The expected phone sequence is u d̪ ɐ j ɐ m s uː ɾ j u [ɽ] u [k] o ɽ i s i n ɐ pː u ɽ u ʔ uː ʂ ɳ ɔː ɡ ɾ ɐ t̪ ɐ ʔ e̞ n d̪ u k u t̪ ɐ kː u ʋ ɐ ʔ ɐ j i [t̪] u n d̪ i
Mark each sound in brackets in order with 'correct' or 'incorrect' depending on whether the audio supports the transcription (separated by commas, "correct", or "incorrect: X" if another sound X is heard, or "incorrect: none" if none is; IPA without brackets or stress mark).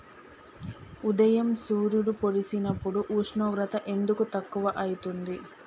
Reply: correct, incorrect: p, correct